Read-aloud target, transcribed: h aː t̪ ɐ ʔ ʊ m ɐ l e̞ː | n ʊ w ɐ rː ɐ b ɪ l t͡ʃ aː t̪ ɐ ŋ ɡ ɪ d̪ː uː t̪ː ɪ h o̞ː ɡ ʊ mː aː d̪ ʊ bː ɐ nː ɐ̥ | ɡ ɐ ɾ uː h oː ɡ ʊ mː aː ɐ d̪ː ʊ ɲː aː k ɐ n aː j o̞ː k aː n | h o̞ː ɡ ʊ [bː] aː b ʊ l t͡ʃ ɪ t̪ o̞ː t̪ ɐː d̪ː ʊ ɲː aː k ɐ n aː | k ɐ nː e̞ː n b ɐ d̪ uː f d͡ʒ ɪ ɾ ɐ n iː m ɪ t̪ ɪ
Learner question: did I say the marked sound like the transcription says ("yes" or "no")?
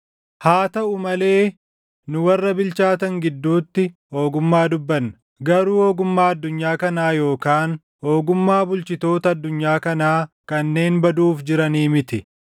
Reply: no